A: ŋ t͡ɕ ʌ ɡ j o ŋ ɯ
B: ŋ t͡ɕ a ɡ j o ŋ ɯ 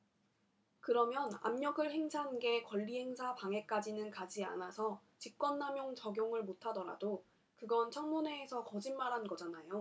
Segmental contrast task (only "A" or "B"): A